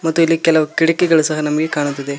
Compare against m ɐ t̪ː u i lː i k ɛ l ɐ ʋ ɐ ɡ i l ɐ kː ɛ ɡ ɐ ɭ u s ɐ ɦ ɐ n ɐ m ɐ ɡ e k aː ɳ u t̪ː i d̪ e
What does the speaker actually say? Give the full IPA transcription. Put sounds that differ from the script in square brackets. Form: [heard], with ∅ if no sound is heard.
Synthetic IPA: m ɐ t̪ː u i lː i k ɛ l ɐ ʋ ɐ [k] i [ɽ] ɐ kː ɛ ɡ ɐ ɭ u s ɐ ɦ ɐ n ɐ m ɐ ɡ e k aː ɳ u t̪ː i d̪ e